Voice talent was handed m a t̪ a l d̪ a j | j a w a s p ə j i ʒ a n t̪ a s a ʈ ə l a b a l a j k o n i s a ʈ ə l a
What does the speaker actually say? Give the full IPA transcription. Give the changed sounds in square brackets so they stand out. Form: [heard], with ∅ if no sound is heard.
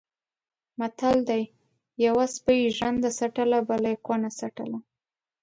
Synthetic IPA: m a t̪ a l d̪ a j | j a w a s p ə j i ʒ a n [d̪] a s a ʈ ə l a b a l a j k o n [a] s a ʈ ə l a